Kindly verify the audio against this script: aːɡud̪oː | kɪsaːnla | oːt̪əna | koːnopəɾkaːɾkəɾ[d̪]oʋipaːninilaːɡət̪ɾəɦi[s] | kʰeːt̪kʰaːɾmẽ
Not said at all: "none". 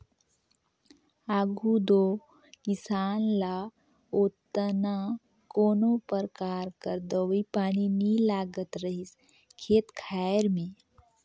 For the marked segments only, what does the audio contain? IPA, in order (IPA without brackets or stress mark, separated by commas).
d̪, s